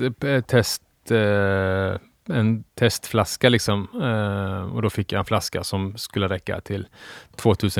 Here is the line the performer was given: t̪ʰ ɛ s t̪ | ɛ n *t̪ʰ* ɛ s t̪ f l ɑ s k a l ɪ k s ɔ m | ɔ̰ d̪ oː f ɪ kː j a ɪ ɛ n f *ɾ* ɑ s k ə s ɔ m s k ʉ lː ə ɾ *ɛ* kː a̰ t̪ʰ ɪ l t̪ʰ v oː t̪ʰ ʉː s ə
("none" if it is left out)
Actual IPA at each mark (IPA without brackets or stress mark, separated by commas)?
t̪ʰ, l, ɛ